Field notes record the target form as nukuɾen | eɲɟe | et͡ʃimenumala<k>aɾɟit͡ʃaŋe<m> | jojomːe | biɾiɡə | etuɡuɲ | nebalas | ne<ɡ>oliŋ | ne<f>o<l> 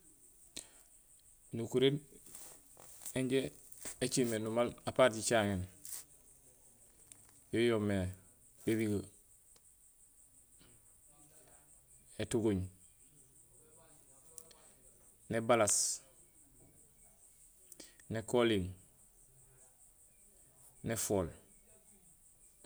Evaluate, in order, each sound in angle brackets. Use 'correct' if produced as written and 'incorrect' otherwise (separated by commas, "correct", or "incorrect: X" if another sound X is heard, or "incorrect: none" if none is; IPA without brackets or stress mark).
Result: incorrect: p, incorrect: n, incorrect: k, correct, correct